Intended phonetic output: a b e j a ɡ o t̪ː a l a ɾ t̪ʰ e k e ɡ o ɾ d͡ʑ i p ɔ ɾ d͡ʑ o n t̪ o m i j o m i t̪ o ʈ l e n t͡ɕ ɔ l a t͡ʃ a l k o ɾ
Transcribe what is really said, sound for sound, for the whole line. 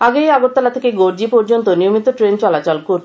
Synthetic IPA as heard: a ɡ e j a ɡ o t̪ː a l a t̪ʰ e k e ɡ o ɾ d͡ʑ i p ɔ ɾ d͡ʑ o n t̪ o n i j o m i t̪ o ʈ ɾ e n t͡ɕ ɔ l a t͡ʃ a l k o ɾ